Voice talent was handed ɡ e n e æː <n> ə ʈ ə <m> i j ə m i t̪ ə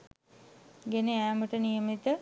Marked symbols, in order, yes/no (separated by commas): no, no